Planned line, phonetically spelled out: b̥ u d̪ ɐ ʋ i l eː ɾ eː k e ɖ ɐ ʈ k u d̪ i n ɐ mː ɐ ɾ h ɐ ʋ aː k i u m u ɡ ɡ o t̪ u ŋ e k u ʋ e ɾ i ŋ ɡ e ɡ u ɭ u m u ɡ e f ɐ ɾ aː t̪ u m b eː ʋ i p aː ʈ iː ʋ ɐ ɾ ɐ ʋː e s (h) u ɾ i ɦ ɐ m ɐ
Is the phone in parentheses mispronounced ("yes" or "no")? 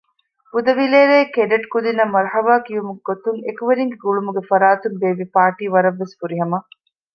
yes